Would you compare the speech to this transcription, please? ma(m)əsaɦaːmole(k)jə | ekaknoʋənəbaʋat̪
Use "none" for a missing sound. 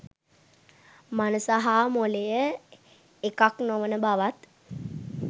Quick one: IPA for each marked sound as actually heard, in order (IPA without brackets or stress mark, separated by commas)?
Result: n, none